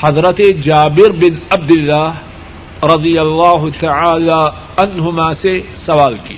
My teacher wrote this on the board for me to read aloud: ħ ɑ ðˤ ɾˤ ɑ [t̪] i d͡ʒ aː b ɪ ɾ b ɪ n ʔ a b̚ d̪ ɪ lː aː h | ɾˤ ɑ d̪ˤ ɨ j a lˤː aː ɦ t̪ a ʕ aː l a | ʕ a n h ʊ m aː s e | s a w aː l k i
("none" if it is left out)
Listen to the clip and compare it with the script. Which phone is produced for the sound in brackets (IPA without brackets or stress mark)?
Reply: t̪